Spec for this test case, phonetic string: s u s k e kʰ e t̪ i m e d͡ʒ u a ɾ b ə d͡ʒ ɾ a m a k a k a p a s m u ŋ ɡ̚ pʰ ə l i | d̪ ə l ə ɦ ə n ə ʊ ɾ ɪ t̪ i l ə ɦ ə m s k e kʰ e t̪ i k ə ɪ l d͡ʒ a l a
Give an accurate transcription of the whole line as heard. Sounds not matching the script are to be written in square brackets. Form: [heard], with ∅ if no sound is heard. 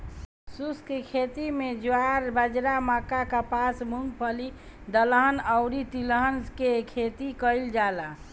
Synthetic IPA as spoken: s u s k e kʰ e t̪ i m e d͡ʒ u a ɾ b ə d͡ʒ ɾ a m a k a k a p a s m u ŋ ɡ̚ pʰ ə l i | d̪ ə l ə ɦ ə n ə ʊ ɾ [i] t̪ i l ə ɦ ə [n] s k e kʰ e t̪ i k ə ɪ l d͡ʒ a l a